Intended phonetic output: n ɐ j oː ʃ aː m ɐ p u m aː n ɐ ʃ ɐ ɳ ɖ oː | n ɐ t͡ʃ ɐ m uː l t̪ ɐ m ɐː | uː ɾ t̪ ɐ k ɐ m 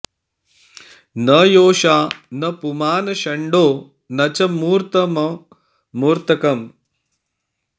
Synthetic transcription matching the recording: n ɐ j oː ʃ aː n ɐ p u m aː n ɐ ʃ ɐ ɳ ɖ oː | n ɐ t͡ʃ ɐ m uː ɾ t̪ ɐ m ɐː | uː ɾ t̪ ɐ k ɐ m

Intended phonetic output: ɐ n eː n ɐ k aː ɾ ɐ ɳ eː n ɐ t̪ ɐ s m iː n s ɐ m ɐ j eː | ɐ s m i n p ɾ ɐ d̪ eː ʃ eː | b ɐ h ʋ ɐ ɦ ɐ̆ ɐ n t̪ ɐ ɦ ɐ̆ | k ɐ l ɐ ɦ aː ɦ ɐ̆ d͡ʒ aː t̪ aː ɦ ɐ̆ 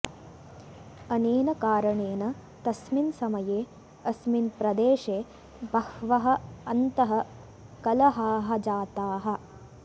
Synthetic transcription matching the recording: ɐ n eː n ɐ k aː ɾ ɐ ɳ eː n ɐ t̪ ɐ s m i n s ɐ m ɐ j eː | ɐ s m i n p ɾ ɐ d̪ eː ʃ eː | b ɐ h ʋ ɐ ɦ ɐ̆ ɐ n t̪ ɐ ɦ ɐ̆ | k ɐ l ɐ ɦ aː ɦ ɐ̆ d͡ʒ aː t̪ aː ɦ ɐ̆

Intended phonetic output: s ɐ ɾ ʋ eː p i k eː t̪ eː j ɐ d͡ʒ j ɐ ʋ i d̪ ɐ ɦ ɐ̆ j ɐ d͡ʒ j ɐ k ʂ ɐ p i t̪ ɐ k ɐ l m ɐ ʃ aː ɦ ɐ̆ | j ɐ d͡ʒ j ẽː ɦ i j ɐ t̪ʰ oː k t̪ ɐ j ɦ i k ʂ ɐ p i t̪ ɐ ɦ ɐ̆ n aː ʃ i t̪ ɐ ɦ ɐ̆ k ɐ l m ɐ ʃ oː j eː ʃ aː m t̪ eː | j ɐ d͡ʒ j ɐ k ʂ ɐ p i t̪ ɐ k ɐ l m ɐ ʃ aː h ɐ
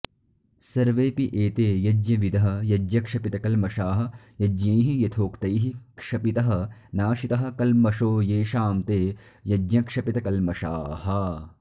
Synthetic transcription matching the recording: s ɐ ɾ ʋ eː p i ʔ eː t̪ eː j ɐ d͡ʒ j ɐ ʋ i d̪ ɐ ɦ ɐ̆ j ɐ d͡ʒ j ɐ k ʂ ɐ p i t̪ ɐ k ɐ l m ɐ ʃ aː ɦ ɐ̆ | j ɐ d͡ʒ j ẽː ɦ i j ɐ t̪ʰ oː k t̪ ɐ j ɦ i k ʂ ɐ p i t̪ ɐ ɦ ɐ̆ n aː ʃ i t̪ ɐ ɦ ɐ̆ k ɐ l m ɐ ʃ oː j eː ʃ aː m t̪ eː | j ɐ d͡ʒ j ɐ k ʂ ɐ p i t̪ ɐ k ɐ l m ɐ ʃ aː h ɐ

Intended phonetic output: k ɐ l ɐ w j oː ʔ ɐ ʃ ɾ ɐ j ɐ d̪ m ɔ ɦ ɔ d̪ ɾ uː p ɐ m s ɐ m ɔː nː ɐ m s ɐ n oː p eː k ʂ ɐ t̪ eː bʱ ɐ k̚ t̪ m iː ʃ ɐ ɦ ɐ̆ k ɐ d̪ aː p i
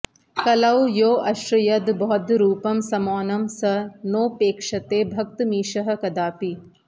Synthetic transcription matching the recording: k ɐ l ɐ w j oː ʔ ɐ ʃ ɾ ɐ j ɐ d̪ b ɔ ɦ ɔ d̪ ɾ uː p ɐ m s ɐ m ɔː n ɐ m s ɐ n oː p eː k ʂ ɐ t̪ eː bʱ ɐ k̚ t̪ m iː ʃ ɐ ɦ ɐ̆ k ɐ d̪ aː p i

